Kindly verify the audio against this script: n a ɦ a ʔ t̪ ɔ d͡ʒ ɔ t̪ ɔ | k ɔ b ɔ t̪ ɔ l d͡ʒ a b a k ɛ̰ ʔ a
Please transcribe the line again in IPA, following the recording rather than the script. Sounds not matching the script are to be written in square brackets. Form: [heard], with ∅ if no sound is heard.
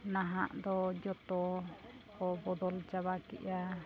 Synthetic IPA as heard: n a ɦ a ʔ [d̪] ɔ d͡ʒ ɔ t̪ ɔ | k ɔ b ɔ [d̪] ɔ l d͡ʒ a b a k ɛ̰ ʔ a